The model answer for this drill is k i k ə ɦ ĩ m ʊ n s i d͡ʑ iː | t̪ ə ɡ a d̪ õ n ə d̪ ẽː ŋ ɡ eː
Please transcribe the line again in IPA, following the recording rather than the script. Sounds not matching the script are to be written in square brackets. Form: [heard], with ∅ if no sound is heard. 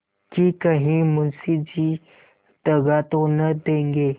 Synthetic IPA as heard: k i k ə ɦ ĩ m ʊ n s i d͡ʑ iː | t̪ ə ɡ a [t̪] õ n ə d̪ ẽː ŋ ɡ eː